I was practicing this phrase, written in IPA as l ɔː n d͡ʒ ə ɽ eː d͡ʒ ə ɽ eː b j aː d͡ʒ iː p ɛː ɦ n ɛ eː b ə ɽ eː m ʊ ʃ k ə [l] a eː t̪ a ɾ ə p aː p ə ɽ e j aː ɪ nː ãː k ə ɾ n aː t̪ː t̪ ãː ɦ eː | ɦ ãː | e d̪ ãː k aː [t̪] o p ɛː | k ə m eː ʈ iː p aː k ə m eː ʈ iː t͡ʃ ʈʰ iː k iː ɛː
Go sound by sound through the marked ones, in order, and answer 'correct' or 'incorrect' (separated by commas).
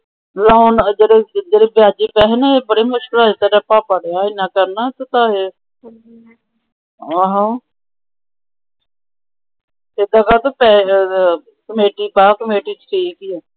correct, correct